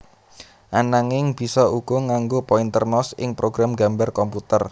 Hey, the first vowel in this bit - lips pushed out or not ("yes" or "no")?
no